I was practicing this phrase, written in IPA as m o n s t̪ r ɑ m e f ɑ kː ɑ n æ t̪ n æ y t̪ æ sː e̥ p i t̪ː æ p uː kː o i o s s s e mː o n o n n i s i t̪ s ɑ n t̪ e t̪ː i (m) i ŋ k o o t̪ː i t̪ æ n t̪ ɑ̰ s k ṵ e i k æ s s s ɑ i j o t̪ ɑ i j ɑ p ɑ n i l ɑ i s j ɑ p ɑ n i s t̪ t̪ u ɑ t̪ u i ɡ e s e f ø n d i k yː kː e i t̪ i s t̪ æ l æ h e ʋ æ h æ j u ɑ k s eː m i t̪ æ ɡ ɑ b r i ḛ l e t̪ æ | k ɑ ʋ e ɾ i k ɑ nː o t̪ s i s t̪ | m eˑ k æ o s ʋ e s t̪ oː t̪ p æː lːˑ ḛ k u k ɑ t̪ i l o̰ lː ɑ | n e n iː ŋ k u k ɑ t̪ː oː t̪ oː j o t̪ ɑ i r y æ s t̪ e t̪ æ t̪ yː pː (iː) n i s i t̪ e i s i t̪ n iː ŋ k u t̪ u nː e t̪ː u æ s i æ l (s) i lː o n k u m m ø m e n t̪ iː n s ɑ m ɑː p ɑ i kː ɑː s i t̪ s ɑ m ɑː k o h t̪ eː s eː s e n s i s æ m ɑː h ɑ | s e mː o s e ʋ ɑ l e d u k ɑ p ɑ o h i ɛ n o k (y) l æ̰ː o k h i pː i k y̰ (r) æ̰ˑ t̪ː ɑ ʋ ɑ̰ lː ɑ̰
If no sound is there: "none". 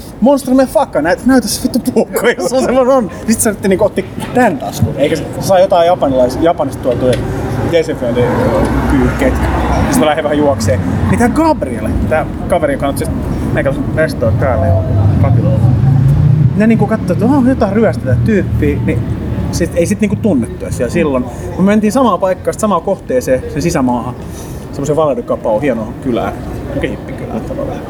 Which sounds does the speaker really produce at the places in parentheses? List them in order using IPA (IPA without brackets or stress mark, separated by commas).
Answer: n, iː, s, y, l